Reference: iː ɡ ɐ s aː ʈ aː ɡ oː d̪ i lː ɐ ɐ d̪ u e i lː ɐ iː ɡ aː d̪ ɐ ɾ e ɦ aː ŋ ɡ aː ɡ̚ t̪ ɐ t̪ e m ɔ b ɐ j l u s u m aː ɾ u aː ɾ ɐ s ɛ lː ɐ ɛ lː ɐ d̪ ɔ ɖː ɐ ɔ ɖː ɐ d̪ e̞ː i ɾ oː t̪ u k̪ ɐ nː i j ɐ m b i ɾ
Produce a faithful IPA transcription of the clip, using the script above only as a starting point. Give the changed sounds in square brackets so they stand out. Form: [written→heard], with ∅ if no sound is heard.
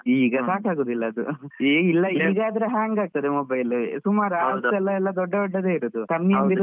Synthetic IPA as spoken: iː ɡ ɐ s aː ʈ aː ɡ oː d̪ i lː ɐ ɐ d̪ u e i lː ɐ iː ɡ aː d̪ ɐ ɾ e ɦ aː ŋ ɡ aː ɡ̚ t̪ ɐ [t̪→d̪] e m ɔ b ɐ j l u s u m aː ɾ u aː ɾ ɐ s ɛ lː ɐ ɛ lː ɐ d̪ ɔ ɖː ɐ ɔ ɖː ɐ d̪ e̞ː i ɾ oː [t̪→d̪] u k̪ ɐ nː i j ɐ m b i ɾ